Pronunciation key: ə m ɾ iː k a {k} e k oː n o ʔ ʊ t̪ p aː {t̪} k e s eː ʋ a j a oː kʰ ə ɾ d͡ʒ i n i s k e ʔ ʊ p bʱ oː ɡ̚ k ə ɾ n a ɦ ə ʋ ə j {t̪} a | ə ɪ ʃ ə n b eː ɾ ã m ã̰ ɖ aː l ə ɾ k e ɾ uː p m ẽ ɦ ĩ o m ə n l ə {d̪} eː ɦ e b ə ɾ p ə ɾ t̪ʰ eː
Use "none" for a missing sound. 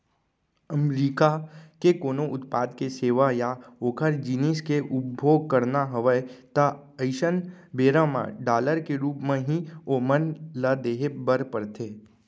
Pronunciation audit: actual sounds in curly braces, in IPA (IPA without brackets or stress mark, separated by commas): k, d̪, t̪, d̪